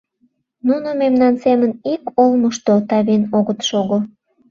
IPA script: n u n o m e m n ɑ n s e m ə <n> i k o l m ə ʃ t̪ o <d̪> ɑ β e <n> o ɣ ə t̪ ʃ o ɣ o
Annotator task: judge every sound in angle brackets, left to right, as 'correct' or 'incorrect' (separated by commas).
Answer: correct, incorrect, correct